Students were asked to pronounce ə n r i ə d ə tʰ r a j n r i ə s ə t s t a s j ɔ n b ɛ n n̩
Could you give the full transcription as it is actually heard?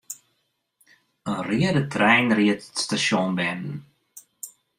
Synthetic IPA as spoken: ə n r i ə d ə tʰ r ɛ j n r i ə t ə t s t a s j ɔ n b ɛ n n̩